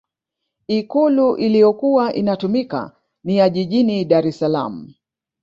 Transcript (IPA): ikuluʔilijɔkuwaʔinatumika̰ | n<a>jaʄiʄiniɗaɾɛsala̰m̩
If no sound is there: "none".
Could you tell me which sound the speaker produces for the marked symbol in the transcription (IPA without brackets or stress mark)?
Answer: i